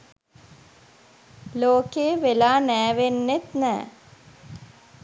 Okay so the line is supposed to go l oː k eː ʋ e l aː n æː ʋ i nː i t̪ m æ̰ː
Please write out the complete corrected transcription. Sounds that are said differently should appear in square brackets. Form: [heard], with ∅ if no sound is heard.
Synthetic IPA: l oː k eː ʋ e l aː n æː ʋ [e] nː [e] t̪ [n] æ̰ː